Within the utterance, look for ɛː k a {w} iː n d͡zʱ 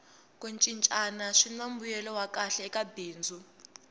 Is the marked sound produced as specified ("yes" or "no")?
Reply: no